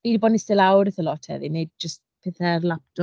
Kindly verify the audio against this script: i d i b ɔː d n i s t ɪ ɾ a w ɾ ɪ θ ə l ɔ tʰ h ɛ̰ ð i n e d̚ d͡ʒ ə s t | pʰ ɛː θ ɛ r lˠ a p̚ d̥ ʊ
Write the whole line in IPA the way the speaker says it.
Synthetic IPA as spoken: i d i b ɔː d n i s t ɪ l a w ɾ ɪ θ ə l ɔ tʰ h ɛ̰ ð i n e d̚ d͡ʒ ə s t | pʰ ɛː θ ɛ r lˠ a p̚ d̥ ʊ